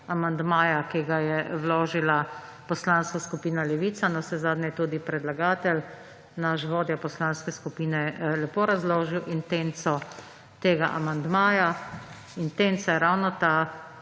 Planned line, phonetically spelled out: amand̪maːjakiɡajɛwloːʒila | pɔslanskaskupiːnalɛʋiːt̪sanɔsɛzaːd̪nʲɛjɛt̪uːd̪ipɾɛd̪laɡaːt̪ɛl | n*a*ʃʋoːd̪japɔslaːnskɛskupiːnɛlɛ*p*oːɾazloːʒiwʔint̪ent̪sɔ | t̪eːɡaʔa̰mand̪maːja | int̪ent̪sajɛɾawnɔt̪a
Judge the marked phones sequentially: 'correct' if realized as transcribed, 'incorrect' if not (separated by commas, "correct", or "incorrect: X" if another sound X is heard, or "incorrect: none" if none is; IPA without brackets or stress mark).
correct, correct